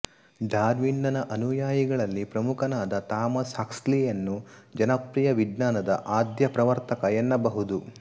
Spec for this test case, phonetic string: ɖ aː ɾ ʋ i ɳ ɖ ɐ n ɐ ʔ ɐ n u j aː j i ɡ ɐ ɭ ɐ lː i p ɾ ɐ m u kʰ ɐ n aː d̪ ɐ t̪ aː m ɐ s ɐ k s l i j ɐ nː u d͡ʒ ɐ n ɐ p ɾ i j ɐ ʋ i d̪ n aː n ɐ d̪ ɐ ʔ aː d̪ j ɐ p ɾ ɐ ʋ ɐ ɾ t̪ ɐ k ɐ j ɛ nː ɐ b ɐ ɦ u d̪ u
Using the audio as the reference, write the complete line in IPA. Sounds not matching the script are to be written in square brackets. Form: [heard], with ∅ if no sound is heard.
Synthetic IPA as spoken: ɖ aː ɾ ʋ i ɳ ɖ ɐ n ɐ ʔ ɐ n u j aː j i ɡ ɐ ɭ ɐ lː i p ɾ ɐ m u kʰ ɐ n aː d̪ ɐ t̪ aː m ɐ s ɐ k s l i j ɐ nː u d͡ʒ ɐ n ɐ p ɾ i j ɐ ʋ i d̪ n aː n ɐ d̪ ɐ ʔ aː d̪ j ɐ p ɾ ɐ ʋ ɐ ɾ t̪ ɐ k ɐ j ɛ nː ɐ b ɐ ɦ u d̪ u